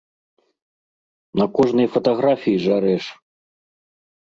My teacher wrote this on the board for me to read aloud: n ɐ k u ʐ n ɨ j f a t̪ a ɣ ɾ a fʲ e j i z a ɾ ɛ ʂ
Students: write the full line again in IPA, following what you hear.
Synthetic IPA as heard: n ɐ k ɔ ʐ n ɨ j f ɐ t̪ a ɣ ɾ a fʲ i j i ʐ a ɾ ɛ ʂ